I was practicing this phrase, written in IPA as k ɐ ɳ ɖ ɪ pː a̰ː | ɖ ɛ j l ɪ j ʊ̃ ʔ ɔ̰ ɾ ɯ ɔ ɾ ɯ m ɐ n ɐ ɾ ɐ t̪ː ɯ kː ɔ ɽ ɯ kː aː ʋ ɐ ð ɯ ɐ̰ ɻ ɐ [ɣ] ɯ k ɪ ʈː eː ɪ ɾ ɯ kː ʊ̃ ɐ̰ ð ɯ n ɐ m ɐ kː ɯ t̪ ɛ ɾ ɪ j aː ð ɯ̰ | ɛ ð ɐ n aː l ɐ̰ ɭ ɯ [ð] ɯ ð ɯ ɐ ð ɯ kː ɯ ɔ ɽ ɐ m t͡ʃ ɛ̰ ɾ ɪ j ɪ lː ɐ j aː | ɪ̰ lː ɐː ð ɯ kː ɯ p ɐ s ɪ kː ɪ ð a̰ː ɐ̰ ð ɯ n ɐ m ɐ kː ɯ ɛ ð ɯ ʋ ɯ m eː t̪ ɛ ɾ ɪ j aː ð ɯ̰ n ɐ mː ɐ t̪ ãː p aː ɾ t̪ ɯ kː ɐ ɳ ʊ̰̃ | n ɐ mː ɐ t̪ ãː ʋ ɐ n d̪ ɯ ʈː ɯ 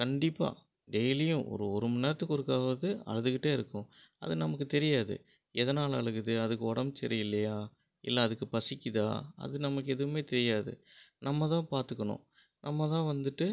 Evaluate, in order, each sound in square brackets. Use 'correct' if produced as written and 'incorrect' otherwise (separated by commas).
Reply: incorrect, incorrect